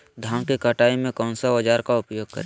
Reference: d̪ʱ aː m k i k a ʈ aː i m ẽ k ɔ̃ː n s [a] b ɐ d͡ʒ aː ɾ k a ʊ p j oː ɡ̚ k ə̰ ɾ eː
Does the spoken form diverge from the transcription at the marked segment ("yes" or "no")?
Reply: no